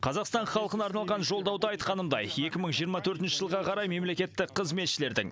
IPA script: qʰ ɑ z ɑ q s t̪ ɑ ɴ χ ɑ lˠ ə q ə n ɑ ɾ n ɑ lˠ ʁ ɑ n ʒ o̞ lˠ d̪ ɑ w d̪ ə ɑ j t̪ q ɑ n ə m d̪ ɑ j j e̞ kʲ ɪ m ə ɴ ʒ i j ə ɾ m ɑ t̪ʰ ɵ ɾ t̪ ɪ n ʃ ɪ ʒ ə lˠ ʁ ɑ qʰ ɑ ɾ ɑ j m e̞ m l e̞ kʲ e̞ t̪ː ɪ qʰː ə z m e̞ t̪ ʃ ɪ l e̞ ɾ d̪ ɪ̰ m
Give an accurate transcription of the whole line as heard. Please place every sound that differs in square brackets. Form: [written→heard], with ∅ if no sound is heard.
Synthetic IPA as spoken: qʰ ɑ z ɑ q s t̪ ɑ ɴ χ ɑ lˠ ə q ə n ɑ ɾ n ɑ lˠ ʁ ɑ n ʒ o̞ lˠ d̪ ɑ w d̪ ə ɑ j t̪ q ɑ n ə m d̪ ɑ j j e̞ kʲ ɪ m ə ɴ ʒ i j ə ɾ m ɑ t̪ʰ ɵ ɾ t̪ ɪ n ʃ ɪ ʒ ə lˠ ʁ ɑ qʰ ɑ ɾ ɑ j m e̞ m l e̞ kʲ e̞ t̪ː ɪ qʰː ə z m e̞ t̪ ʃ ɪ l e̞ ɾ d̪ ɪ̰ [m→ŋ]